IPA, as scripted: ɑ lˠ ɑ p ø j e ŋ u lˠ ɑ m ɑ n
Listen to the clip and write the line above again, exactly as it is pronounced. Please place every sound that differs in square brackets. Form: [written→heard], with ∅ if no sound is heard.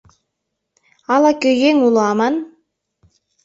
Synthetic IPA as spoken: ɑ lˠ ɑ [p→k] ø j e ŋ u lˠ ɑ m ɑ n